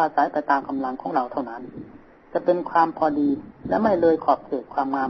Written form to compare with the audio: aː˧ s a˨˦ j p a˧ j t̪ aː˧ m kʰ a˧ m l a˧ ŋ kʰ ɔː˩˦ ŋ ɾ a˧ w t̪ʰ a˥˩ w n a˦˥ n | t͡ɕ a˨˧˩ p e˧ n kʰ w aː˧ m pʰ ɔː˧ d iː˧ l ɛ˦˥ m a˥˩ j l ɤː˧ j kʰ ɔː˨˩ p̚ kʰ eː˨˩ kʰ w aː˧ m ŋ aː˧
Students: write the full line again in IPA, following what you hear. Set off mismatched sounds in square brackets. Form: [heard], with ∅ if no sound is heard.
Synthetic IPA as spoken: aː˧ s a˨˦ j p a˧ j t̪ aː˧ m [k] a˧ m l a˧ ŋ kʰ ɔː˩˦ ŋ ɾ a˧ w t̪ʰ a˥˩ w n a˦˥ n | t͡ɕ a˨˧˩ p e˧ n kʰ w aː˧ m pʰ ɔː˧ d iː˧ l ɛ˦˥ m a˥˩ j l ɤː˧ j kʰ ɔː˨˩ p̚ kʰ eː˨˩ kʰ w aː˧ m ŋ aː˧